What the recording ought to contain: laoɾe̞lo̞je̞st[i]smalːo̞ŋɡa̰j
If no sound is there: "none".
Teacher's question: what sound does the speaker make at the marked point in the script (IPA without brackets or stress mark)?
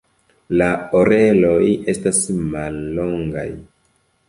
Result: a